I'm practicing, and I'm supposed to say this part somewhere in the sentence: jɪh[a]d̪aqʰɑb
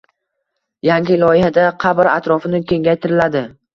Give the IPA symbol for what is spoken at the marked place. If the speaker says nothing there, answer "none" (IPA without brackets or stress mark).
a